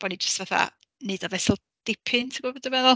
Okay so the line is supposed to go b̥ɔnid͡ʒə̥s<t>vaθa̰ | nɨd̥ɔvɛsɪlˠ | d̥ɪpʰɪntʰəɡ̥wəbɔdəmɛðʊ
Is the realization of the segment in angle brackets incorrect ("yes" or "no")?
no